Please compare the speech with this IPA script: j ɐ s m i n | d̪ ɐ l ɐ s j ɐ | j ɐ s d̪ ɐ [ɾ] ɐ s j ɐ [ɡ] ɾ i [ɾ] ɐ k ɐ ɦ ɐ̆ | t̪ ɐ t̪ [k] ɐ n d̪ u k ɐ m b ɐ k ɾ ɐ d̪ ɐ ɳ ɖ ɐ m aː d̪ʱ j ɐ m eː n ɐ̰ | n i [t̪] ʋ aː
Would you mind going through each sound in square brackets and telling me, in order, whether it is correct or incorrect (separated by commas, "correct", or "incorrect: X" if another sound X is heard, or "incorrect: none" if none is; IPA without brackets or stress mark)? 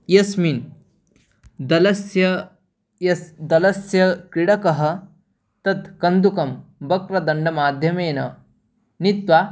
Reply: incorrect: l, incorrect: k, incorrect: ɽ, correct, correct